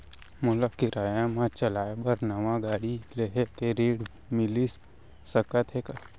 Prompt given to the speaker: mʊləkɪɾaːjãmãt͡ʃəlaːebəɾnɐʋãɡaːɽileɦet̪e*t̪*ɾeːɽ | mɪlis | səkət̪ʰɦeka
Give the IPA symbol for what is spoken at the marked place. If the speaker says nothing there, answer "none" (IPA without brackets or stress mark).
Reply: none